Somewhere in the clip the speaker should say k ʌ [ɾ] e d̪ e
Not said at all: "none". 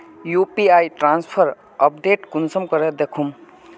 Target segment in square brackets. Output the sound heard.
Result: ɾ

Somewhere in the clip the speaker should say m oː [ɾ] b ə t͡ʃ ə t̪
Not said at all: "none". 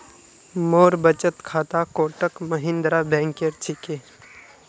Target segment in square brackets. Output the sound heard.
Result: ɾ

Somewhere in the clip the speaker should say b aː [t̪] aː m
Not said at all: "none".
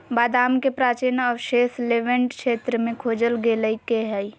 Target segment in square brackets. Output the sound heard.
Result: d̪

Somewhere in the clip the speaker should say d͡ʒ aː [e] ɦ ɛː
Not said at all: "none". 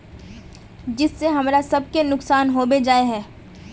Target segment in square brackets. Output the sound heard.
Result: e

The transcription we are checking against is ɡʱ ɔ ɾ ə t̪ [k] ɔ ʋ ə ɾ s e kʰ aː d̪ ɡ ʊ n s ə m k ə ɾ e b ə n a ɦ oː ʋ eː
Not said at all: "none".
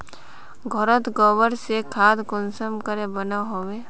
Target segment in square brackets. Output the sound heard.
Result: ɡ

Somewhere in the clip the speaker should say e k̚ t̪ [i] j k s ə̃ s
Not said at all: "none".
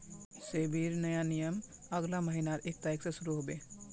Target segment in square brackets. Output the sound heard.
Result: a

